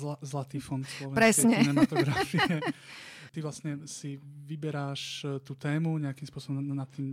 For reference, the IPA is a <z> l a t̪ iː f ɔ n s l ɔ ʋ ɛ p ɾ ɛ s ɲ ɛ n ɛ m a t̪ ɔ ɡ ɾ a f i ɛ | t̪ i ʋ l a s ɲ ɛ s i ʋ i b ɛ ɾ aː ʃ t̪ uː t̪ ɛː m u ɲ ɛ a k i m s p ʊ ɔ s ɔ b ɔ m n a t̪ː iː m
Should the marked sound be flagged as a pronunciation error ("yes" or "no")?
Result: no